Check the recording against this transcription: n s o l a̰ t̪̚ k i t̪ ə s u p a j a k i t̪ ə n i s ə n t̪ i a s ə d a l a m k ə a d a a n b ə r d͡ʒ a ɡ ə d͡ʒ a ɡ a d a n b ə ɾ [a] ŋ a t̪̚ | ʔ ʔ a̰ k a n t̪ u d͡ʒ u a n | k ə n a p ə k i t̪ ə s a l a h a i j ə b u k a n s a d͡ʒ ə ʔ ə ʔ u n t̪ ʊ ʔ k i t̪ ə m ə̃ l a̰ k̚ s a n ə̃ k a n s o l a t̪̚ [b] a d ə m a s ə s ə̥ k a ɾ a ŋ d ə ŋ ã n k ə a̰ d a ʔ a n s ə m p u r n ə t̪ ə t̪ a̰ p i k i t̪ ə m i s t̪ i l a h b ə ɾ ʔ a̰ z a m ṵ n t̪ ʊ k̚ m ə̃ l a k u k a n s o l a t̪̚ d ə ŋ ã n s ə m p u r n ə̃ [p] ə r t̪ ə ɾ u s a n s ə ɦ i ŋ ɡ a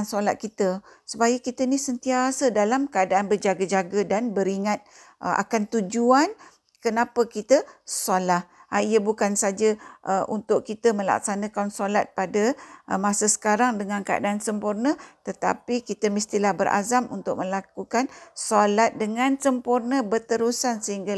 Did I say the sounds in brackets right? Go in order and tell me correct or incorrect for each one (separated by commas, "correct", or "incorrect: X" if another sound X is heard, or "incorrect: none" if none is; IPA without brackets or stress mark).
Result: incorrect: i, incorrect: p, incorrect: b